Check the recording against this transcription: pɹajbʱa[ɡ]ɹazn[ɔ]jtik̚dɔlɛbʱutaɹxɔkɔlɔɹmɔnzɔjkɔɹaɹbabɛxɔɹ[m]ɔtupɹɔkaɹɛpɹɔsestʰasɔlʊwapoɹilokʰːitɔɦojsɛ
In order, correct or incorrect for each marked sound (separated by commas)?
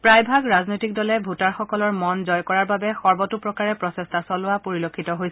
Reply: correct, incorrect, incorrect